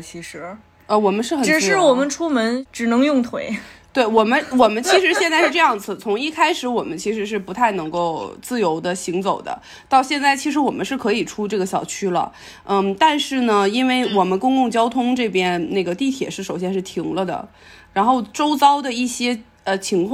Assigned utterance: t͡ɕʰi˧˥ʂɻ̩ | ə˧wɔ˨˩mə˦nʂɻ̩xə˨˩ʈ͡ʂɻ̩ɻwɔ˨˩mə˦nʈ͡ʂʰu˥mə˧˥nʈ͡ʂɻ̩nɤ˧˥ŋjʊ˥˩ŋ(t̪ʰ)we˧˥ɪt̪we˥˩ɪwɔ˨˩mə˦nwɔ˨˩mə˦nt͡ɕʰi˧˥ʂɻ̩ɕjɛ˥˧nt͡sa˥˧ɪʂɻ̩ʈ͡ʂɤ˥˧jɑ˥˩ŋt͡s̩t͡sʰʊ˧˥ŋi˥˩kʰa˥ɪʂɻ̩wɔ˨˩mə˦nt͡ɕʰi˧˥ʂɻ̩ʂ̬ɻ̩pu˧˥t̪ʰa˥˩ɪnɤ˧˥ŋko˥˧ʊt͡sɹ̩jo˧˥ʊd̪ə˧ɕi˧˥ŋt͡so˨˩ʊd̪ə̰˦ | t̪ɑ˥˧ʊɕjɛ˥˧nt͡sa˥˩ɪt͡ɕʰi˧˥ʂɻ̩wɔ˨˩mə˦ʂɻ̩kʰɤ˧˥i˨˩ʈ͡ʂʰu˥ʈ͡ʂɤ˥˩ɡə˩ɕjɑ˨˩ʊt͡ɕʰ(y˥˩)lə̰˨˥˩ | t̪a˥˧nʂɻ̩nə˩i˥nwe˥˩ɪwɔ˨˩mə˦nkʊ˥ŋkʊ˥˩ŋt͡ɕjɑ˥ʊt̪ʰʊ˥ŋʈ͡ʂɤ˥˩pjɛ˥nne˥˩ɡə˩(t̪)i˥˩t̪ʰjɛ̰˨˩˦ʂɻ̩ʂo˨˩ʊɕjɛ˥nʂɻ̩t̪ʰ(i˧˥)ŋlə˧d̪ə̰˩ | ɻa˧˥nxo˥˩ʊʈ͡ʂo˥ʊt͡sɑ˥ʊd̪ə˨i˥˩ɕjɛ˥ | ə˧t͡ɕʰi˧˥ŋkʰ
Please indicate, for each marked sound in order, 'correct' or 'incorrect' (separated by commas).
correct, incorrect, correct, correct